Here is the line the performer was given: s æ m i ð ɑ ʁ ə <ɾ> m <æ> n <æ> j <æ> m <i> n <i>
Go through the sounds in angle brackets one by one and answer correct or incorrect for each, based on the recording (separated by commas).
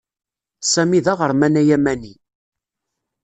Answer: correct, correct, correct, correct, incorrect, correct